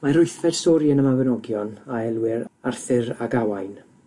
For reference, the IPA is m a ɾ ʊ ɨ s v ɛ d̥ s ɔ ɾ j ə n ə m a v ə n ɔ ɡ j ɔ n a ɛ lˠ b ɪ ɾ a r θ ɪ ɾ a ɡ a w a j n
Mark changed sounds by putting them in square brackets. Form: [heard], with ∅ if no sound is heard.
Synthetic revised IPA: m a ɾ ʊ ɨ [θ] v ɛ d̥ s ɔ ɾ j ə n ə m a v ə n ɔ ɡ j ɔ n a ɛ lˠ [w] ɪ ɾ a r θ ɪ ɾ a ɡ a w a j n